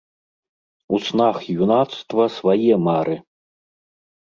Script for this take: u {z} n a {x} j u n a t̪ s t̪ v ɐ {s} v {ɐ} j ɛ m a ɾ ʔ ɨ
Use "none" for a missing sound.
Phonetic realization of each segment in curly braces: s, x, s, a

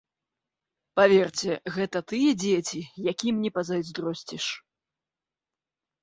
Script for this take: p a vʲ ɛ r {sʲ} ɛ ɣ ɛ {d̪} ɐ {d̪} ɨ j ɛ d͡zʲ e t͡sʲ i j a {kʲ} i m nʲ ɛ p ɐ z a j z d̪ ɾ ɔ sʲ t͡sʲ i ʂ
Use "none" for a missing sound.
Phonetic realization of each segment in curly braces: t͡sʲ, t̪, t̪, kʲ

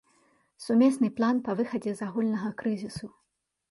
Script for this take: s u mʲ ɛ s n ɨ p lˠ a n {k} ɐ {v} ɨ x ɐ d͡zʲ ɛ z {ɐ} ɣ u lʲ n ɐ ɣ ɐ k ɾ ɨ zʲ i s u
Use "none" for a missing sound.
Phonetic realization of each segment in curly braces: p, v, a

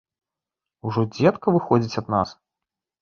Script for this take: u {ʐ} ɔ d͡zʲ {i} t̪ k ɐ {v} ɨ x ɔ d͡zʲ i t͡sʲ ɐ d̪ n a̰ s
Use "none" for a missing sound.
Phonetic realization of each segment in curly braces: ʐ, ɛ, v

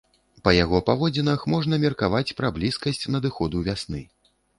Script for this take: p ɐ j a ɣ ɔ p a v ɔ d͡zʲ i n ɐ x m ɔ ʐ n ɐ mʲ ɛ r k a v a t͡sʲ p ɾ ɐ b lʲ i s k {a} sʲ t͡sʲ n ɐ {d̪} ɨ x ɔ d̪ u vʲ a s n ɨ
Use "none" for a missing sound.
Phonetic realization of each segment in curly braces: ɐ, d̪

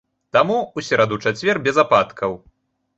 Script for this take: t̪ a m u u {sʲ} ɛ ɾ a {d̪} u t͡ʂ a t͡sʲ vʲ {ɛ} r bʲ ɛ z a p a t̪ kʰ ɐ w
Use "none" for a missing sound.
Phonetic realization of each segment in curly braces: sʲ, d̪, ɛ

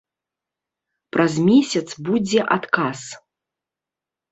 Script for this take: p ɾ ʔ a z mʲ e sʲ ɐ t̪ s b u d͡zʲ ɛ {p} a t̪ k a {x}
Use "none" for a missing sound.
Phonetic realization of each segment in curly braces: ʔ, s

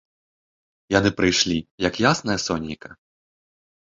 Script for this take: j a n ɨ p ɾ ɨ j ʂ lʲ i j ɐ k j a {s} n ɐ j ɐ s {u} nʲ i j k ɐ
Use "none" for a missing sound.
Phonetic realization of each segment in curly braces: s, ɔ

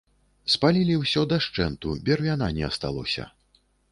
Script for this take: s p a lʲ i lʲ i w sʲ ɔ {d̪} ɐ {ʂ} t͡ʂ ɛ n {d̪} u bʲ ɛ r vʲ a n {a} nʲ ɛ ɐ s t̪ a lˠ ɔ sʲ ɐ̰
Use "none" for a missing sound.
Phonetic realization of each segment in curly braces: d̪, ʂ, t̪, a

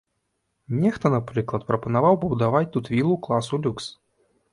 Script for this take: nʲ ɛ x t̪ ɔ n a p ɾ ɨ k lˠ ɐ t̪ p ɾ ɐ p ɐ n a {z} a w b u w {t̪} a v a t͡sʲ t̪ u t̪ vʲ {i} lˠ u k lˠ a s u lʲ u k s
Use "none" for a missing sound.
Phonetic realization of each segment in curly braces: v, d̪, i

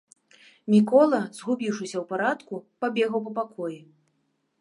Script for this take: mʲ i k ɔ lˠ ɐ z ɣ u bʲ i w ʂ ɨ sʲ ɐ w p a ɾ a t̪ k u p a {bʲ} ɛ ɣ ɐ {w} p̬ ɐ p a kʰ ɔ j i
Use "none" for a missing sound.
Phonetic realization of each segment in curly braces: bʲ, w

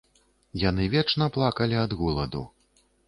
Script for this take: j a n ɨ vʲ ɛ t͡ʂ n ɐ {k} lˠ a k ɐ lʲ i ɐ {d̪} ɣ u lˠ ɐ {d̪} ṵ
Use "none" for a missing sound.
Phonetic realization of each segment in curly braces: p, d̪, d̪

